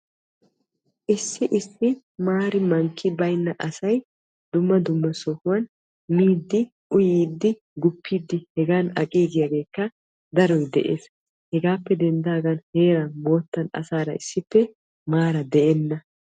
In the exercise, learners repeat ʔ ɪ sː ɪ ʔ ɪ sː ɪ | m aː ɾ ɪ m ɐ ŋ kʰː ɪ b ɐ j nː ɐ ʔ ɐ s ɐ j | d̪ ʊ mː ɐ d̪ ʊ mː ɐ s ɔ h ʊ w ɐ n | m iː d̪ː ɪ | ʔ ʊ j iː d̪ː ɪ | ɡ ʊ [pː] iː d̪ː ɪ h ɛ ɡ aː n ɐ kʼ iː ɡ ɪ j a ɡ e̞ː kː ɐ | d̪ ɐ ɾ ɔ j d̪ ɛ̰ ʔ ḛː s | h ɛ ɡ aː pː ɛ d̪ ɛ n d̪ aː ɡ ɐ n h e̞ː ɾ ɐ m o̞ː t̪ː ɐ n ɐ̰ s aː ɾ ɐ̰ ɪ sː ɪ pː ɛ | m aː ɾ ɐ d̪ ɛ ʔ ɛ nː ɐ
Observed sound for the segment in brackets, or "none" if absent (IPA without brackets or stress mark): pː